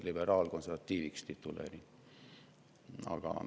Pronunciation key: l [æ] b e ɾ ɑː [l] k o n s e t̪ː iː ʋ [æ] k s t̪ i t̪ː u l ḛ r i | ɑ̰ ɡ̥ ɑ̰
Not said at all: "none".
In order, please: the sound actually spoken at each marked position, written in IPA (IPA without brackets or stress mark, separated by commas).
i, l, i